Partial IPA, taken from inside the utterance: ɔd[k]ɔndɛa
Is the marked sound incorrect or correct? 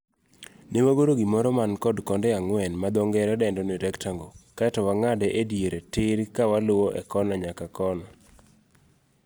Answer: correct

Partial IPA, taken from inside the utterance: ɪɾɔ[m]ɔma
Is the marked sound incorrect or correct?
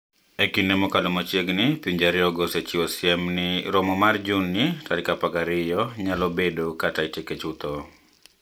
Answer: correct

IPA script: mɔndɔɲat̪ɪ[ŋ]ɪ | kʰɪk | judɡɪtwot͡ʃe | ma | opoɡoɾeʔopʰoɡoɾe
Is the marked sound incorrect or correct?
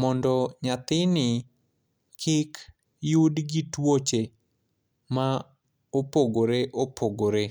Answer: incorrect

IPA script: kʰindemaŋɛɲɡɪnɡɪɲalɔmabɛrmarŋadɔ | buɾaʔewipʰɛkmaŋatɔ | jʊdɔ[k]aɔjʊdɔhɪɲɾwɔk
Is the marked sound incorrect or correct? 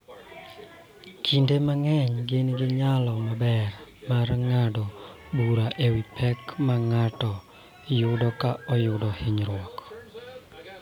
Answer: correct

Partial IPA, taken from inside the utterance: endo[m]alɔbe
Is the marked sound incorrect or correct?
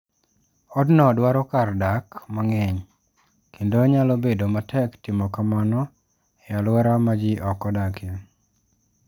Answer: incorrect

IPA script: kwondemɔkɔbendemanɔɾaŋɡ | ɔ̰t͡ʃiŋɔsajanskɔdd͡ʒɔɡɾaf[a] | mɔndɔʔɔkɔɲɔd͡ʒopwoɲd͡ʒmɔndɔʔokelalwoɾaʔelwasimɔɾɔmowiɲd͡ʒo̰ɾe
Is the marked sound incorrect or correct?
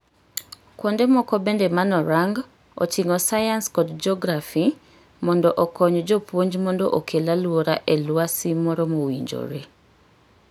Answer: incorrect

